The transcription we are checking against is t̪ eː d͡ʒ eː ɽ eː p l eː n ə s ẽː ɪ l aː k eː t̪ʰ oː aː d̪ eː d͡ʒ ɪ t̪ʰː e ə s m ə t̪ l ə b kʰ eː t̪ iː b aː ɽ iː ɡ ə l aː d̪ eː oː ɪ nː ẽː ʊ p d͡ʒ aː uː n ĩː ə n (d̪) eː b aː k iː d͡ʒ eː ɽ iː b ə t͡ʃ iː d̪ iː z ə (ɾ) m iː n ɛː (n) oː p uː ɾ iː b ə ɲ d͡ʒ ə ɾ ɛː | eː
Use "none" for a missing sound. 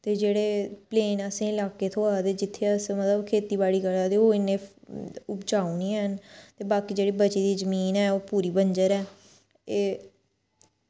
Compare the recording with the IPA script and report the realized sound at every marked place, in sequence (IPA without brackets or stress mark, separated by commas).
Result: t̪, none, none